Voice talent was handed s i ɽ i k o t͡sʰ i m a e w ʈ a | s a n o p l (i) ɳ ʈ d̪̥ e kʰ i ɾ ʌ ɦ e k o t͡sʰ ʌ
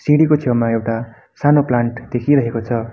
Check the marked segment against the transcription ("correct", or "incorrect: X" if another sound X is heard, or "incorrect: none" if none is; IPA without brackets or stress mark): incorrect: a